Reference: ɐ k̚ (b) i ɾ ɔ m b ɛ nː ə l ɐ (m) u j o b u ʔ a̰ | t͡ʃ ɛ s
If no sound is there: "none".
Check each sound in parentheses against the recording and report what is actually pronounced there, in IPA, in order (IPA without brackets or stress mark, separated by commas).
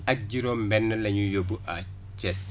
ɟ, ɲ